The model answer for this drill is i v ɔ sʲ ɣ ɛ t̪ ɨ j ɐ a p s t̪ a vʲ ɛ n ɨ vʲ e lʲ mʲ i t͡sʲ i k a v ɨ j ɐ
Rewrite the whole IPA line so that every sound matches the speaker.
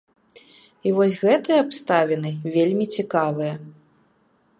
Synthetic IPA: i v ɔ sʲ ɣ ɛ t̪ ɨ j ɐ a p s t̪ a vʲ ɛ n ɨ vʲ e lʲ mʲ i t͡sʲ i k a v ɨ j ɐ